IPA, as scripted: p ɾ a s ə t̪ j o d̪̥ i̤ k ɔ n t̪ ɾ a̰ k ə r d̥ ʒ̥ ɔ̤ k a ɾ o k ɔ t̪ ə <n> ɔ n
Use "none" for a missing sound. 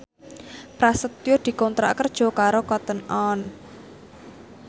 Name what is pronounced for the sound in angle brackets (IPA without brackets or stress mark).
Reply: n